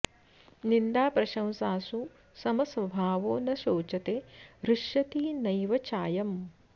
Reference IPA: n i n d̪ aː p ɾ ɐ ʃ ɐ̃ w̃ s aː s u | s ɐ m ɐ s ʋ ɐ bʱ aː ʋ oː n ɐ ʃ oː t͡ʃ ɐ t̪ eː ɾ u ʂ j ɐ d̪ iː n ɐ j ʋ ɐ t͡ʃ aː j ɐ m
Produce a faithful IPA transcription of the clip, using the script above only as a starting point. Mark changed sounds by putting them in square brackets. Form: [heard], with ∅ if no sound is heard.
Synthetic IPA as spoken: n i n d̪ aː p ɾ ɐ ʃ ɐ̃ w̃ s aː s u | s ɐ m ɐ s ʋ ɐ bʱ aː ʋ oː n ɐ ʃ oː t͡ʃ ɐ t̪ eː ɾ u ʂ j ɐ [t̪] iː n ɐ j ʋ ɐ t͡ʃ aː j ɐ m